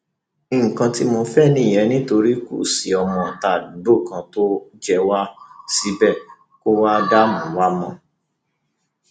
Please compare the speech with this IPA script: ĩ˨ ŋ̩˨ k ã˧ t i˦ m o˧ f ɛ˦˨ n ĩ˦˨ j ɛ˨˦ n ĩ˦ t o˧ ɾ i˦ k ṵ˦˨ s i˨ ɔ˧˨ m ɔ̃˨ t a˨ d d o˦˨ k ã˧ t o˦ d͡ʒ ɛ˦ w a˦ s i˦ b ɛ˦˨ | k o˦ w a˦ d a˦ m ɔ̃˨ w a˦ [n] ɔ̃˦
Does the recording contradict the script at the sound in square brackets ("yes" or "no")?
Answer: yes